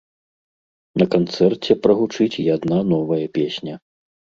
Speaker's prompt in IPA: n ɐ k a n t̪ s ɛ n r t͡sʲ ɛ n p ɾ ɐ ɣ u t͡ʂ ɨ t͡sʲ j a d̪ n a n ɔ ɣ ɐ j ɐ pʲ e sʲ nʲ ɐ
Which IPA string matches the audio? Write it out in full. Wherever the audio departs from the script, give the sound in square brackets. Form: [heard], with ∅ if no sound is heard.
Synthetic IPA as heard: n ɐ k a n t̪ s ɛ [∅] r t͡sʲ ɛ [∅] p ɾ ɐ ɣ u t͡ʂ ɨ t͡sʲ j a d̪ n a n ɔ [v] ɐ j ɐ pʲ e sʲ nʲ ɐ